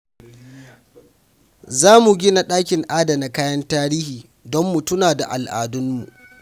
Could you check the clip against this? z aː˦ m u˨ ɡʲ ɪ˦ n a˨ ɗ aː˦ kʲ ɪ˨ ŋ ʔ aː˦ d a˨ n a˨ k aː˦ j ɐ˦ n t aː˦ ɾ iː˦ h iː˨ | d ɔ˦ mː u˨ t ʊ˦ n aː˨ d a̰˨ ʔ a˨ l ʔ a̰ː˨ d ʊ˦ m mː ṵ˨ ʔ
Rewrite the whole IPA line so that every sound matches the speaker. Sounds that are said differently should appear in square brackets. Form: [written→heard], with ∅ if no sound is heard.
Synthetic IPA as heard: z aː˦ m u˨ ɡʲ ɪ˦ n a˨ ɗ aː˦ kʲ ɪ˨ ŋ ʔ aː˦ d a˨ n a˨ k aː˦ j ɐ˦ n t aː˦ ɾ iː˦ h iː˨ | d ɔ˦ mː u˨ t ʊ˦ n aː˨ d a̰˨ ʔ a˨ l ʔ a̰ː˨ d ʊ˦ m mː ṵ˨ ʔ